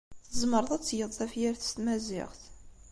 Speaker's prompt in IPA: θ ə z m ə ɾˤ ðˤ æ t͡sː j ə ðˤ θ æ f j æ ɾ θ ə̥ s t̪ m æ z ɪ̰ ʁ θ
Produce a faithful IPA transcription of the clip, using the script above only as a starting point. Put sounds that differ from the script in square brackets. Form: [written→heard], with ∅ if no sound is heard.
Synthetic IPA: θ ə z m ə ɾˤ ðˤ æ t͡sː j ə ðˤ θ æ f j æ ɾ θ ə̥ s t̪ m æ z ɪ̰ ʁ θ